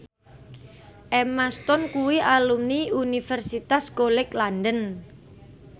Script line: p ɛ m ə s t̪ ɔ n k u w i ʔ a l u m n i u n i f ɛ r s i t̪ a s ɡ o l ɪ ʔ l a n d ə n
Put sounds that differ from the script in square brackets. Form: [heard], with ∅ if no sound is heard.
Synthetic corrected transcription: [ʔ] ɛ m [a] s t̪ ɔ n k u w i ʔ a l u m n i u n i f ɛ r s i t̪ a s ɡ o l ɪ [k] l a n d ə n